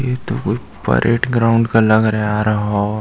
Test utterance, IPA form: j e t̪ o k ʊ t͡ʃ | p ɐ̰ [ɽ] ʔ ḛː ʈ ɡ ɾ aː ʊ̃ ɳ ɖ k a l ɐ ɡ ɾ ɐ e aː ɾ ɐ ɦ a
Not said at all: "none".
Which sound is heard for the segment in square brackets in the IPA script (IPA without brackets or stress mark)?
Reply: ɾ